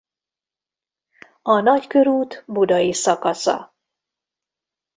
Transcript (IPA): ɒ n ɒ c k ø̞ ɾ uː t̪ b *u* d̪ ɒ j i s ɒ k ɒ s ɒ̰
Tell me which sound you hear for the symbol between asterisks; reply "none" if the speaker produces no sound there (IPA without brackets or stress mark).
u